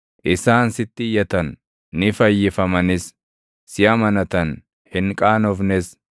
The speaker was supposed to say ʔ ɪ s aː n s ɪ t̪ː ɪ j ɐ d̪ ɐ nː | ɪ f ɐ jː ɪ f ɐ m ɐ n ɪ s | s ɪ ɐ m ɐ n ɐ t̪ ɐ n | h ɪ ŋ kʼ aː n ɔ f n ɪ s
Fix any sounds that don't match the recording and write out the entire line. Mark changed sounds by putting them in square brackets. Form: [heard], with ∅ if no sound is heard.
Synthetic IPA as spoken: ʔ ɪ s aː n s ɪ t̪ː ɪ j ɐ [t̪] ɐ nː | ɪ f ɐ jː ɪ f ɐ m ɐ n ɪ s | s ɪ ɐ m ɐ n ɐ t̪ ɐ n | h ɪ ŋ kʼ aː n ɔ f n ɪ s